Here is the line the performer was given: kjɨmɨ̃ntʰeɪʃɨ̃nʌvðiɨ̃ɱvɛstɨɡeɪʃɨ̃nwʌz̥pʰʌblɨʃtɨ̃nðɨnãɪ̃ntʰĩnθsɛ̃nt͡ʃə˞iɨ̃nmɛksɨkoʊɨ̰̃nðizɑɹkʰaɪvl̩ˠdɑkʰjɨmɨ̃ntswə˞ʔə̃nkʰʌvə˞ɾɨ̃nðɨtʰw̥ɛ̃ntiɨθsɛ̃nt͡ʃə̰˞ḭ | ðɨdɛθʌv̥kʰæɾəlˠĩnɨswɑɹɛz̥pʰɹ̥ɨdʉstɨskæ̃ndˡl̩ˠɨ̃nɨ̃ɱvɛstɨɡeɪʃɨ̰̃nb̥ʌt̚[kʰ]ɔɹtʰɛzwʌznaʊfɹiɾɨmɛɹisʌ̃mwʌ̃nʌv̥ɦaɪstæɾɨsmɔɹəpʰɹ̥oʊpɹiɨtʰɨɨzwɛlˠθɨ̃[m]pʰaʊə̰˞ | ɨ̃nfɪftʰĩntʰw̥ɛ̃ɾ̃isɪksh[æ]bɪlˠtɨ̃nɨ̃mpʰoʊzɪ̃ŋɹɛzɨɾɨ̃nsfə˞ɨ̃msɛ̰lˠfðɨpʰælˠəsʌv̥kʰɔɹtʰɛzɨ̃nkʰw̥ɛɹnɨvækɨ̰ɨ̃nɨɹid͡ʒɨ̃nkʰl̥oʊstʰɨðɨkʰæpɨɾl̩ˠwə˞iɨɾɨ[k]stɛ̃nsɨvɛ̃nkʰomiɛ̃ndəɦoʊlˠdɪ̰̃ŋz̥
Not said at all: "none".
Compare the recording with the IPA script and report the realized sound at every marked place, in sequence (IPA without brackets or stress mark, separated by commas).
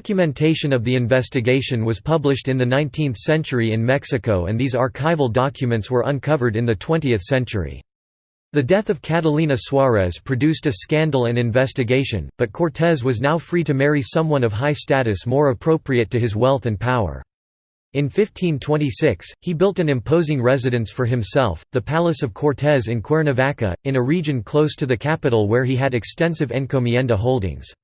kʰ, n, i, k